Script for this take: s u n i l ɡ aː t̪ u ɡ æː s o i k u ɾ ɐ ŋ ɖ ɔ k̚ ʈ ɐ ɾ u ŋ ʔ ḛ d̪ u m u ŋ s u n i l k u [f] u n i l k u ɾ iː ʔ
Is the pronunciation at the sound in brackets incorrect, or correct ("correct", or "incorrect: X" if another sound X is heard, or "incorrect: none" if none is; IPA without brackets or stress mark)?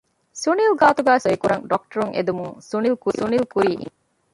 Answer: incorrect: s